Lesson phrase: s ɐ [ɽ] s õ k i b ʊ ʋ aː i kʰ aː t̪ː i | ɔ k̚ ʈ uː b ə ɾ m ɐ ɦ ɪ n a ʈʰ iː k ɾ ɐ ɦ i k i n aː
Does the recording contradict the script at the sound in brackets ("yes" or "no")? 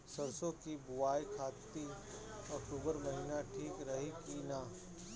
yes